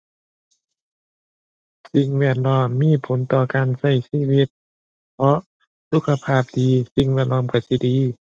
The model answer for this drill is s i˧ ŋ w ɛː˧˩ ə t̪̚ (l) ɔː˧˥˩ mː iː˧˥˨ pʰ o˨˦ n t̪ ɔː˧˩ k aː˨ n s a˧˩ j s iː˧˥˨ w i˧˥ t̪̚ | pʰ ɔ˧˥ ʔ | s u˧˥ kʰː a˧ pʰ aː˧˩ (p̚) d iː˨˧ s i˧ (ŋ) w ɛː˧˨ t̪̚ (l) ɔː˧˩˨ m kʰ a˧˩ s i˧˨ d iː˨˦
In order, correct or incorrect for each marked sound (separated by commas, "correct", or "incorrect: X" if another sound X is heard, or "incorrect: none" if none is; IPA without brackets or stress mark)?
correct, correct, correct, correct